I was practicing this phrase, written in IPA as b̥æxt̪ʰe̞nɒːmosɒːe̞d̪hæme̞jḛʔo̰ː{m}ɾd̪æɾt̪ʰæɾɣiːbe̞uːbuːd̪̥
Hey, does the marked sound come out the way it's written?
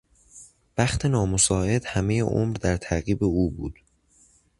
yes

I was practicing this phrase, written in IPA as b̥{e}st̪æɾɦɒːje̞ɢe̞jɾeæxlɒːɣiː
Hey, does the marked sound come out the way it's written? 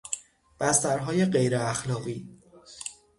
no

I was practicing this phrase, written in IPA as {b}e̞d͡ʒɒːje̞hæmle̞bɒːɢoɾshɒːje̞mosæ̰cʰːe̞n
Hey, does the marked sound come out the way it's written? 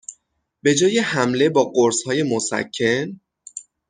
yes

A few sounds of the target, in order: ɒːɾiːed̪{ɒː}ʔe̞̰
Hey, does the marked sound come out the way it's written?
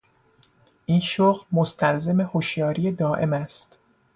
yes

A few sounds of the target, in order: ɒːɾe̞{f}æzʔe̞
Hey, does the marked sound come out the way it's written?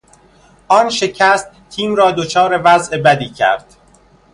no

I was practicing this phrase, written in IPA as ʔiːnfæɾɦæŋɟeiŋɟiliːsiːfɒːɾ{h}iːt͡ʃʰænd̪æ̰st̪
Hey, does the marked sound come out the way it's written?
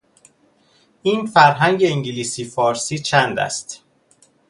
no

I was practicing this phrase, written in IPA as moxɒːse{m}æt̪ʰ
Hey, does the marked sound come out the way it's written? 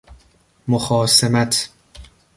yes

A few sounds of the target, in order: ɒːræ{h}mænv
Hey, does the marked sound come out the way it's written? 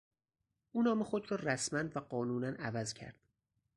no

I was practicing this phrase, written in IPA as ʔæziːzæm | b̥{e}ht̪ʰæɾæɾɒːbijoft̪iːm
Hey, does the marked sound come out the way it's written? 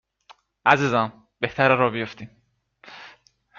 yes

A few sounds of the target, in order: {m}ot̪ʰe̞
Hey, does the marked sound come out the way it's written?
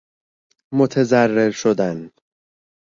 yes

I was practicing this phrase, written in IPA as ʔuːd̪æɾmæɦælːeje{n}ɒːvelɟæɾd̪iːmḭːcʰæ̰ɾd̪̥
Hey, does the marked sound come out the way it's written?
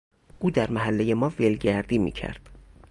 no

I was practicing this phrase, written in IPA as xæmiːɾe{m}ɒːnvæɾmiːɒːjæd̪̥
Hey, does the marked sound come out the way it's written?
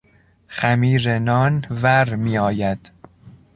no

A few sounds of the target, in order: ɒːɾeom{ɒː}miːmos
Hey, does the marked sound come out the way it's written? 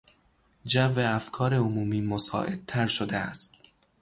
no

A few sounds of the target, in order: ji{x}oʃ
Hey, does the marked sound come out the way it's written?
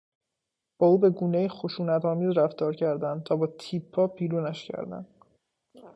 yes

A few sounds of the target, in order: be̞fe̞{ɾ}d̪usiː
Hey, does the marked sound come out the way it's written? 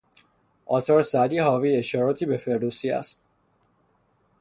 yes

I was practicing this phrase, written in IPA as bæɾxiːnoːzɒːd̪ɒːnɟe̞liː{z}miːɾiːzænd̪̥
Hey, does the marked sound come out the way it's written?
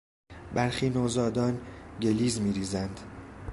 yes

